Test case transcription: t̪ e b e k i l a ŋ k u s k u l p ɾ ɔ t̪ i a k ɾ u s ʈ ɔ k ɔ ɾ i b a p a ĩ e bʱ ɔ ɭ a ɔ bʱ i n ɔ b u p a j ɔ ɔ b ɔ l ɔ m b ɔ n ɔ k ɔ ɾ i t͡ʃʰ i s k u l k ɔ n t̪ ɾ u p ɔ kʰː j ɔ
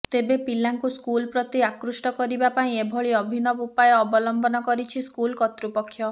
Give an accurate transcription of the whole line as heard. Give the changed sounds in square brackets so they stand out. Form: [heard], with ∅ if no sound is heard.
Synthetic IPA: t̪ e b e [p] i l a ŋ k u s k u l p ɾ ɔ t̪ i a k ɾ u s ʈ ɔ k ɔ ɾ i b a p a ĩ e bʱ ɔ ɭ [i] ɔ bʱ i n ɔ b u p a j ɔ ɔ b ɔ l ɔ m b ɔ n ɔ k ɔ ɾ i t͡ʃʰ i s k u l k ɔ [∅] t̪ ɾ u p ɔ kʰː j ɔ